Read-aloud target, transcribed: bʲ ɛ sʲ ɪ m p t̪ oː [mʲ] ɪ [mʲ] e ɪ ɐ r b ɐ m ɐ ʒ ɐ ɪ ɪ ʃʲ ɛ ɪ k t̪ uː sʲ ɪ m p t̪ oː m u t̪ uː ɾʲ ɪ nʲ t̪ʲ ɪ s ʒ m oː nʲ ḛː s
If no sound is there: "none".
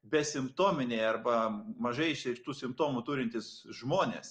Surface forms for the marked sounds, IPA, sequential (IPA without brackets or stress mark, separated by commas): mʲ, nʲ